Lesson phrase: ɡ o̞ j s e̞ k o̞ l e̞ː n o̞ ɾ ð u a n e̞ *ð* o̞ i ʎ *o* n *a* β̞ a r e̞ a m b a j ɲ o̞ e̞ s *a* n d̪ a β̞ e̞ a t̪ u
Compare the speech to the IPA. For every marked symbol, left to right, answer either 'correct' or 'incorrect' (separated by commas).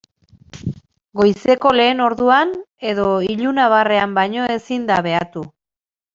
correct, incorrect, correct, incorrect